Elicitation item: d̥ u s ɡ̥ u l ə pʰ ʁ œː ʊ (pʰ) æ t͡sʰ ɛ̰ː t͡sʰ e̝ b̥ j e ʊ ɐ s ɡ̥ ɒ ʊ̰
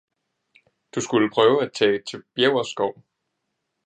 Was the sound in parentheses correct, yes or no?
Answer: no